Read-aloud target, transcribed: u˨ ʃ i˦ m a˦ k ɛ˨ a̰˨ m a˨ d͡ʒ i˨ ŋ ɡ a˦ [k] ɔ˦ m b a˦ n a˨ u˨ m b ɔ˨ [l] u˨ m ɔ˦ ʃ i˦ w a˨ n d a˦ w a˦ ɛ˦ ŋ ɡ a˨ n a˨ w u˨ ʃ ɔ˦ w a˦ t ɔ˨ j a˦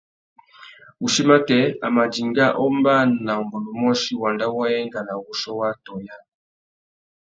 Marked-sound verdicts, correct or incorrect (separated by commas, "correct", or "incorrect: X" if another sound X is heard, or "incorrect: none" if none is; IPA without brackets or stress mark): incorrect: ʔ, correct